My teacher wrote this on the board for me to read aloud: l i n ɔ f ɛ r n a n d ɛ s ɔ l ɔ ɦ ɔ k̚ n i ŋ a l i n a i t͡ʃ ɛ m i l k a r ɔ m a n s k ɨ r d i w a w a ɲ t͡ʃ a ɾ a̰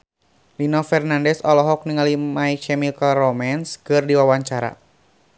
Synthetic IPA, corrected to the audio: l i n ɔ f ɛ r n a n d ɛ s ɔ l ɔ ɦ ɔ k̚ n i ŋ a l i m a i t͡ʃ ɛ m i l k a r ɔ m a n s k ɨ r d i w a w a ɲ t͡ʃ a ɾ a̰